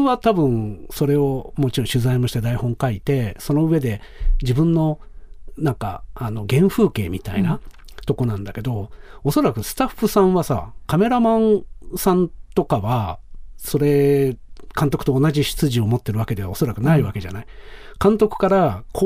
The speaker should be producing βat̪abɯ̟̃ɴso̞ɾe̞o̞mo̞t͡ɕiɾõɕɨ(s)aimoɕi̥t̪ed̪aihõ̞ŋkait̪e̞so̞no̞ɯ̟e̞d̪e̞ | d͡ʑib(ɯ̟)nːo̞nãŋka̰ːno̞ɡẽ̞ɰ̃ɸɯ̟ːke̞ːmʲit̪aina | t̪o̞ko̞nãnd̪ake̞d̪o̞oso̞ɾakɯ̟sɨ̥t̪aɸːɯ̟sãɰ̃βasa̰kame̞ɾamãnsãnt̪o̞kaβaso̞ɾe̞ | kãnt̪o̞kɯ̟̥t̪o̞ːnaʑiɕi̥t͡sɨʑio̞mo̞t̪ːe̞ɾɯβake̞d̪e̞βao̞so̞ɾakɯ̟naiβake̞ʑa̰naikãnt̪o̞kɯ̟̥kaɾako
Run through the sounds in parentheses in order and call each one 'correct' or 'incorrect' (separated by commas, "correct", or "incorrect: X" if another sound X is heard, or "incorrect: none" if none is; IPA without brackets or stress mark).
incorrect: z, incorrect: ɯ̟̃